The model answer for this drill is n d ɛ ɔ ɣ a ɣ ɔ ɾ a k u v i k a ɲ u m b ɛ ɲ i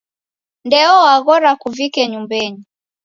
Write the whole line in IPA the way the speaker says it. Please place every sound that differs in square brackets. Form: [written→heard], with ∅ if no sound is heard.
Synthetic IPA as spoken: n d ɛ ɔ [ɣ→w] a ɣ ɔ ɾ a k u v i k [a→ɛ] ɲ u m b ɛ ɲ i